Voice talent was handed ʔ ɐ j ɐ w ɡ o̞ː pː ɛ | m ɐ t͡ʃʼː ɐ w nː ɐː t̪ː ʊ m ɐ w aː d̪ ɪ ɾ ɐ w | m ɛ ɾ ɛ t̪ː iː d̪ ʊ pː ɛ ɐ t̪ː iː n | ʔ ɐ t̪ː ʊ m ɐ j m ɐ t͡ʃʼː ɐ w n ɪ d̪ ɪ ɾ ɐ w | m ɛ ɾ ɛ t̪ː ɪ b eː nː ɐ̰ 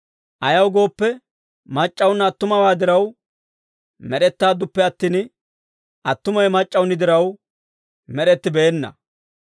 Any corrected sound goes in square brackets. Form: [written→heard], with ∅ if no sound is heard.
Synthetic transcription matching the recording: ʔ ɐ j ɐ w ɡ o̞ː pː ɛ | m ɐ t͡ʃʼː ɐ w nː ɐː t̪ː ʊ m ɐ w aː d̪ ɪ ɾ ɐ w | m ɛ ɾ ɛ t̪ː [iː→aː] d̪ ʊ pː ɛ ɐ t̪ː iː n | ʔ ɐ t̪ː ʊ m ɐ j m ɐ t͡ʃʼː ɐ w n ɪ d̪ ɪ ɾ ɐ w | m ɛ ɾ ɛ t̪ː ɪ b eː nː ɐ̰

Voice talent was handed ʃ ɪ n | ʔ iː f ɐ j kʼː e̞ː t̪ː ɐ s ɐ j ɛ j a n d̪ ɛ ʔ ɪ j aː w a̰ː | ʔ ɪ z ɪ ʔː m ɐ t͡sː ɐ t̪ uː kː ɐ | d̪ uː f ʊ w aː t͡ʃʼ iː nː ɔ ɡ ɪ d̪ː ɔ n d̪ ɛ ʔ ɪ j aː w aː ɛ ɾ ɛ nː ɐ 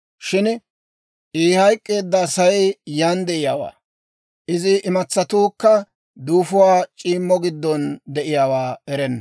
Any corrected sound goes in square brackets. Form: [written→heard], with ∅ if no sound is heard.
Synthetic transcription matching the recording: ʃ ɪ n | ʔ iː [f→h] ɐ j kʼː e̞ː [t̪ː→d̪ː] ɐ s ɐ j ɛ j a n d̪ ɛ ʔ ɪ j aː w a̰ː | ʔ ɪ z ɪ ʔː m ɐ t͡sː ɐ t̪ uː kː ɐ | d̪ uː f ʊ w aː t͡ʃʼ iː [nː→mː] ɔ ɡ ɪ d̪ː ɔ n d̪ ɛ ʔ ɪ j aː w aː ɛ ɾ ɛ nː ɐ

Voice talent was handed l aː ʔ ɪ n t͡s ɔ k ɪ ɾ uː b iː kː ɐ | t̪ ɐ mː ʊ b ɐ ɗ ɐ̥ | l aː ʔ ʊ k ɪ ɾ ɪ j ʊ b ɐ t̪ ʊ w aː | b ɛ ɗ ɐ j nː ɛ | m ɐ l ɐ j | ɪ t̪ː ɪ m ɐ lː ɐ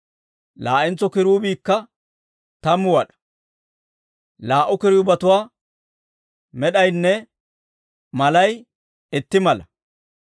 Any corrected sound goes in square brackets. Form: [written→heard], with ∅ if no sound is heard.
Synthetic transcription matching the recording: l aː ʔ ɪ n t͡s ɔ k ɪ ɾ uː b iː kː ɐ | t̪ ɐ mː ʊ [b→w] ɐ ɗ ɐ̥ | l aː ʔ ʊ k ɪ ɾ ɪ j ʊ b ɐ t̪ ʊ w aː | [b→m] ɛ ɗ ɐ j nː ɛ | m ɐ l ɐ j | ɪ t̪ː ɪ m ɐ [lː→l] ɐ

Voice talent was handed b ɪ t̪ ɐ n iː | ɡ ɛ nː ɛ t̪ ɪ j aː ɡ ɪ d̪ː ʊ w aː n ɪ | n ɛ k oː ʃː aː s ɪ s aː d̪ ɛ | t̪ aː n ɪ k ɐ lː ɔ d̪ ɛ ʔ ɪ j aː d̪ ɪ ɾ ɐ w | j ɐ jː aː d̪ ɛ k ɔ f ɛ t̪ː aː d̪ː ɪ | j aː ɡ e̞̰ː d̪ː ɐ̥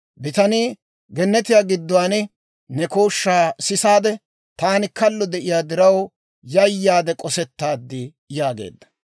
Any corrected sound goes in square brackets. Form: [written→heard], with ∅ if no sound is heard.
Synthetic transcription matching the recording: b ɪ t̪ ɐ n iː | ɡ ɛ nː ɛ t̪ ɪ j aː ɡ ɪ d̪ː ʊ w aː n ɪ | n ɛ k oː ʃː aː s ɪ s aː d̪ ɛ | t̪ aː n ɪ k ɐ lː ɔ d̪ ɛ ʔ ɪ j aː d̪ ɪ ɾ ɐ w | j ɐ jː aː d̪ ɛ [k→kʼ] ɔ [f→s] ɛ t̪ː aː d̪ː ɪ | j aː ɡ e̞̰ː d̪ː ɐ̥

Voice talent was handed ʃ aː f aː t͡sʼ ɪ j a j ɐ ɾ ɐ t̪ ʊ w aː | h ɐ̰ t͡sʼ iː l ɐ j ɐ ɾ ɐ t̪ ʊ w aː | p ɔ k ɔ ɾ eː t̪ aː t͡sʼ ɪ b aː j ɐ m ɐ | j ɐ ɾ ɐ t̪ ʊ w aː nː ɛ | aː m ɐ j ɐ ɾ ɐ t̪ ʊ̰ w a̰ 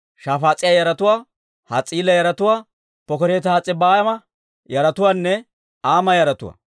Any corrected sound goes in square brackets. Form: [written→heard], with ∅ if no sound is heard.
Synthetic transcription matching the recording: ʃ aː f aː t͡sʼ ɪ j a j ɐ ɾ ɐ t̪ ʊ w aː | h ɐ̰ t͡sʼ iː l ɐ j ɐ ɾ ɐ t̪ ʊ w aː | p ɔ k ɔ ɾ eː t̪ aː t͡sʼ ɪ b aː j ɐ m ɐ | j ɐ ɾ ɐ t̪ ʊ w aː nː ɛ | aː m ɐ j ɐ ɾ ɐ t̪ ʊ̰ w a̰

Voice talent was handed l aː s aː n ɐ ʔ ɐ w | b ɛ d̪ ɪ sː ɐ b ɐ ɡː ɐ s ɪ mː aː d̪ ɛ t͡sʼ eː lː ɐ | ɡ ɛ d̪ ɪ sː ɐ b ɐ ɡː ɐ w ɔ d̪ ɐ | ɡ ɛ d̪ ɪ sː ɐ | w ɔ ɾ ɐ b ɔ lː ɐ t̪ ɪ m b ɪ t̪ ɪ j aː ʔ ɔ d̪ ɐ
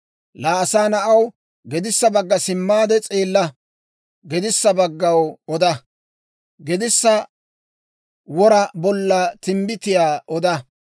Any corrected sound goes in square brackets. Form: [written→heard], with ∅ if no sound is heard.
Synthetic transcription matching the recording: l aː s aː n ɐ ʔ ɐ w | [b→ɡ] ɛ d̪ ɪ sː ɐ b ɐ ɡː ɐ s ɪ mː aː d̪ ɛ t͡sʼ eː lː ɐ | ɡ ɛ d̪ ɪ sː ɐ b ɐ ɡː ɐ w ɔ d̪ ɐ | ɡ ɛ d̪ ɪ sː ɐ | w ɔ ɾ ɐ b ɔ lː ɐ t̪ ɪ m b ɪ t̪ ɪ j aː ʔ ɔ d̪ ɐ

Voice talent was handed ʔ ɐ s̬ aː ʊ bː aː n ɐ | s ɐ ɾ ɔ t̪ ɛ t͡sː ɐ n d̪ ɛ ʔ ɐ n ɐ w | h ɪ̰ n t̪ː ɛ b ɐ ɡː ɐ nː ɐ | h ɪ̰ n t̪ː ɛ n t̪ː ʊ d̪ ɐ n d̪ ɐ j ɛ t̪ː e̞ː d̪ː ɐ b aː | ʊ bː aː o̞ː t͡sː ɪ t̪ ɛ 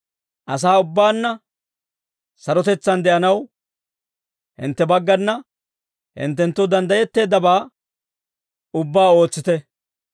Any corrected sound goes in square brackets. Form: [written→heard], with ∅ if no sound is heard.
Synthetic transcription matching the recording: ʔ ɐ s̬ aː ʊ bː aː [n→nː] ɐ | s ɐ ɾ ɔ t̪ ɛ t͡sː ɐ n d̪ ɛ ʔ ɐ n ɐ w | h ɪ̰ n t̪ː ɛ b ɐ ɡː ɐ nː ɐ | h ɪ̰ n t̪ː ɛ n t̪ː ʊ d̪ ɐ n d̪ ɐ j ɛ t̪ː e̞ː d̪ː ɐ b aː | ʊ bː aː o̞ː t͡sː ɪ t̪ ɛ

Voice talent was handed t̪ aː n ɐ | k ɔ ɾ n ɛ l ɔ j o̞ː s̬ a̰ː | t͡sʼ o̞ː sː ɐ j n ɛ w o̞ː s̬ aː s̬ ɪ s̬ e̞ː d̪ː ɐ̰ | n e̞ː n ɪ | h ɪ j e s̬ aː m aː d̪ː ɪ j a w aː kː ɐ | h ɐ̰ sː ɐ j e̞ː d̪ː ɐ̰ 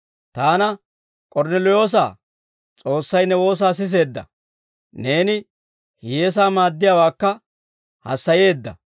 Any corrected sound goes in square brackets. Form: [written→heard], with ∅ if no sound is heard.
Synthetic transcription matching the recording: t̪ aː n ɐ | [k→kʼ] ɔ ɾ n ɛ l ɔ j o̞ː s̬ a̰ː | t͡sʼ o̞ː sː ɐ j n ɛ w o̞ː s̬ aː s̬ ɪ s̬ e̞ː d̪ː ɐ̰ | n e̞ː n ɪ | h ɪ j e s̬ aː m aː d̪ː ɪ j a w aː kː ɐ | h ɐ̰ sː ɐ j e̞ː d̪ː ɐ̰

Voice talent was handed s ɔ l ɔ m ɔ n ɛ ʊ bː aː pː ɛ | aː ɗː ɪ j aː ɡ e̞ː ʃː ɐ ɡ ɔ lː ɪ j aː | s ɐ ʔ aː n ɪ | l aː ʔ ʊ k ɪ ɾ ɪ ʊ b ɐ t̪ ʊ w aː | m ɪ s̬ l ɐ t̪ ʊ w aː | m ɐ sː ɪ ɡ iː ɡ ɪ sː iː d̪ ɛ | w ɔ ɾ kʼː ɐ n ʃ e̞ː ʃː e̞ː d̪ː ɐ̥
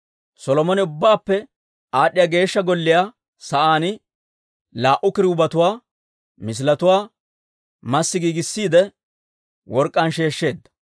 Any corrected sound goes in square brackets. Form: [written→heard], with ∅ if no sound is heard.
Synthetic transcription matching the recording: s ɔ l ɔ m ɔ n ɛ ʊ bː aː pː ɛ | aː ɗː ɪ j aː ɡ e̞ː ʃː ɐ ɡ ɔ lː ɪ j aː | s ɐ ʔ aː n ɪ | l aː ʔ ʊ k ɪ ɾ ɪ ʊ b ɐ t̪ ʊ w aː | m ɪ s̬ l ɐ t̪ ʊ w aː | m ɐ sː ɪ ɡ iː ɡ ɪ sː iː d̪ ɛ | w ɔ ɾ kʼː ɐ n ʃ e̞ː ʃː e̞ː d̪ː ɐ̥

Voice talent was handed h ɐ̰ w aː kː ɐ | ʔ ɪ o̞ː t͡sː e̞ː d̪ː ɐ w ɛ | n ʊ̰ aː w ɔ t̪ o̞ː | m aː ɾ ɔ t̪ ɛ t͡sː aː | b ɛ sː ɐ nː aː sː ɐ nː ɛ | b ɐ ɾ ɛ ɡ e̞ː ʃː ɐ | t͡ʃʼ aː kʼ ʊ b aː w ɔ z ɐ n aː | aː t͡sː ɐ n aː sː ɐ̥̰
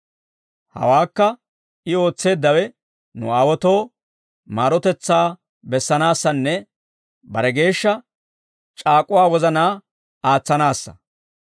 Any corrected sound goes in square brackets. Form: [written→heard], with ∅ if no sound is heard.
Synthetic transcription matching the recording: h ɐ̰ w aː kː ɐ | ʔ ɪ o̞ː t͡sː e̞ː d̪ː ɐ w ɛ | n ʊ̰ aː w ɔ t̪ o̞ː | m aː ɾ ɔ t̪ ɛ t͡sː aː | b ɛ sː ɐ [nː→n] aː sː ɐ nː ɛ | b ɐ ɾ ɛ ɡ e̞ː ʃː ɐ | t͡ʃʼ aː kʼ ʊ [b→w] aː w ɔ z ɐ n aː | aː t͡sː ɐ n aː sː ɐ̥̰

